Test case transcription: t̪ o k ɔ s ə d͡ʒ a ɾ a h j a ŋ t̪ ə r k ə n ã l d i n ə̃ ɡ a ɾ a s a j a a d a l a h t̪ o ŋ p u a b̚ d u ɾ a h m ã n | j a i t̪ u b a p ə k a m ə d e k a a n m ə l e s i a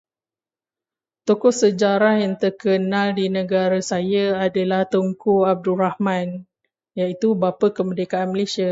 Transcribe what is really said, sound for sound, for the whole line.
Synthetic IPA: t̪ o k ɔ s ə d͡ʒ a ɾ a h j a ŋ t̪ ə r k ə n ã l d i n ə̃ ɡ a ɾ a s a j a a d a l a h t̪ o ŋ k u a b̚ d u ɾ a h m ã n | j a i t̪ u b a p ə k ə m ə d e k a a n m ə l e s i a